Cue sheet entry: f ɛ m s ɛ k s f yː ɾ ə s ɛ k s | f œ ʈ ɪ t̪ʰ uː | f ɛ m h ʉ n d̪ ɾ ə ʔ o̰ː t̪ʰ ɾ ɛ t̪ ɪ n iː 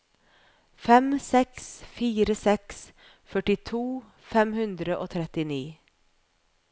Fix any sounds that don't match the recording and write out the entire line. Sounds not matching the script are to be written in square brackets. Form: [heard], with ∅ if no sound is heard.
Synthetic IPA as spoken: f ɛ m s ɛ k s f [iː] ɾ ə s ɛ k s | f œ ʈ ɪ t̪ʰ uː | f ɛ m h ʉ n d̪ ɾ ə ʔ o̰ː t̪ʰ ɾ ɛ t̪ ɪ n iː